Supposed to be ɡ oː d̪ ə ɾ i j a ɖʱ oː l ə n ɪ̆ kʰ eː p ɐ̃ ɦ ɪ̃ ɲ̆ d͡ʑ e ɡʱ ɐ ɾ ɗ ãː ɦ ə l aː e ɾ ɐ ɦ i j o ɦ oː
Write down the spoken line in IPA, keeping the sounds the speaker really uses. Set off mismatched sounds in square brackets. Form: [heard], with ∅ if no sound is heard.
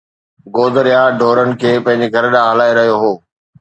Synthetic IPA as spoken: ɡ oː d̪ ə ɾ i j a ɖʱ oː [ɾ] ə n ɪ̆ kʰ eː p ɐ̃ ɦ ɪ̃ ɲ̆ d͡ʑ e ɡʱ ɐ ɾ ɗ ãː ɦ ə l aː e ɾ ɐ ɦ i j o ɦ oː